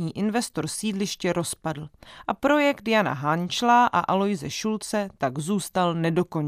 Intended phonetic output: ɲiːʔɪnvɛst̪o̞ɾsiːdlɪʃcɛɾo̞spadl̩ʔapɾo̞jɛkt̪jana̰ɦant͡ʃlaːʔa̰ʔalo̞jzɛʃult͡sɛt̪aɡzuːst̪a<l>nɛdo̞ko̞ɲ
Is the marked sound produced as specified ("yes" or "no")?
yes